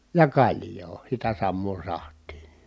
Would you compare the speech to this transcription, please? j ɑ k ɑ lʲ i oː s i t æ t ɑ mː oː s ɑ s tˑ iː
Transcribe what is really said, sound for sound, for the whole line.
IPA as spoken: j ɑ k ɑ lʲ j oː s i t æ s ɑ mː oː s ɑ h tˑ iː